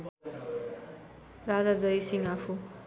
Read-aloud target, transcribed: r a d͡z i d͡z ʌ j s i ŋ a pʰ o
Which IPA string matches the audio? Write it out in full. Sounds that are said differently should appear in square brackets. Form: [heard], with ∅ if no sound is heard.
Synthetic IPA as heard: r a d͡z [a] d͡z ʌ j s i ŋ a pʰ [u]

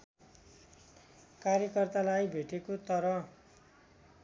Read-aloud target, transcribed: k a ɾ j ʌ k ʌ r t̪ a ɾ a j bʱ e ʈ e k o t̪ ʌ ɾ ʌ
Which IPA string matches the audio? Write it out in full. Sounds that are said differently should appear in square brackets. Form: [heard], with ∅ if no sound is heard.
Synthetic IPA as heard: k a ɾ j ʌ k ʌ r t̪ a [l] a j bʱ e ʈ e k o t̪ ʌ ɾ ʌ

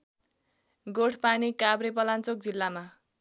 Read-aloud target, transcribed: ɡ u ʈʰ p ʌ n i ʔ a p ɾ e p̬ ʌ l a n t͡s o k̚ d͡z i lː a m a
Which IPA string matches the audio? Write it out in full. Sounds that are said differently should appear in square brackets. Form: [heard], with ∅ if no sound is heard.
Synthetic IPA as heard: ɡ [o] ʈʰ p [a] n i [k] a [b] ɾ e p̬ ʌ l a n t͡s o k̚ d͡z i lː a m a

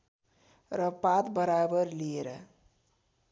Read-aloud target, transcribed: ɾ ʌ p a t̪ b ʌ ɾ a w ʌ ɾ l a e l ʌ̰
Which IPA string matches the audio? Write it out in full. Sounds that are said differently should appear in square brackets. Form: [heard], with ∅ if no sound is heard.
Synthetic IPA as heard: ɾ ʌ p a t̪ b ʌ ɾ a [b] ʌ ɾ l [i] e [ɾ] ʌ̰

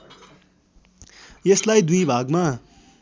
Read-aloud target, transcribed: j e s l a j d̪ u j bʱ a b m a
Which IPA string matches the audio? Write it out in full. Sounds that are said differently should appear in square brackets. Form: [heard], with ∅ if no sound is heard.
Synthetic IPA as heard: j e s l a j d̪ u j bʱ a [ɡ] m a

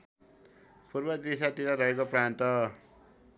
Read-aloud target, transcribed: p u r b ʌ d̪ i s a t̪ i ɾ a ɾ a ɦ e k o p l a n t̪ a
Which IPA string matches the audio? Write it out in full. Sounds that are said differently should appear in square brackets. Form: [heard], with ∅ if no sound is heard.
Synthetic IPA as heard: p u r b ʌ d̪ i s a t̪ i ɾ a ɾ [ʌ] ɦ e k o p [r] a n t̪ [ʌ]

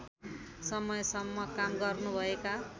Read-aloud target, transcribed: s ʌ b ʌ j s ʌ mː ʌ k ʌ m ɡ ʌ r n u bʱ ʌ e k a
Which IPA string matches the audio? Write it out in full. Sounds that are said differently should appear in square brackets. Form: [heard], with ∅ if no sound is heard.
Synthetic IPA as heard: s ʌ [m] ʌ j s ʌ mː ʌ k [a] m ɡ ʌ r n u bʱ ʌ e k a

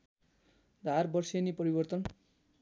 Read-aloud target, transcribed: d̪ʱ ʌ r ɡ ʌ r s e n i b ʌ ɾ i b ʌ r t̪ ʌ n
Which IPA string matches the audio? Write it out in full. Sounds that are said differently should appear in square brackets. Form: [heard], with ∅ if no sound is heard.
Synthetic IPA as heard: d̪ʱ [a] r [b] ʌ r s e n i [p] ʌ ɾ i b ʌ r t̪ ʌ n

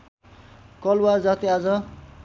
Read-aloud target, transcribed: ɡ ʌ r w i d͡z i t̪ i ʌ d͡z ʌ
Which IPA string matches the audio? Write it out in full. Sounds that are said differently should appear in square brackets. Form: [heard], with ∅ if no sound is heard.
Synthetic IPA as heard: [k] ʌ [l] w [a] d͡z [a] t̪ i [a] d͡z ʌ

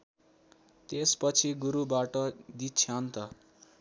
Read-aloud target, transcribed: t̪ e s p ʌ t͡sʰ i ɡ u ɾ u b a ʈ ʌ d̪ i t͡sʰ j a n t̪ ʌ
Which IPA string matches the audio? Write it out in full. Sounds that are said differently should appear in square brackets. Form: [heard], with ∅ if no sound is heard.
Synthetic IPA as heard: t̪ e s p ʌ t͡sʰ i ɡ u ɾ u b a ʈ ʌ d̪ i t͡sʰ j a n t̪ ʌ

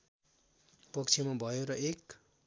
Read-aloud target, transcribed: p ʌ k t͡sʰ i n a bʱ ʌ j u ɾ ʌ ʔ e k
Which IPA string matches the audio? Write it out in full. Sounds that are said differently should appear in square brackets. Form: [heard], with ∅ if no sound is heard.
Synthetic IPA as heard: p ʌ k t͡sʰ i [m] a bʱ ʌ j [o] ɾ ʌ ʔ e k

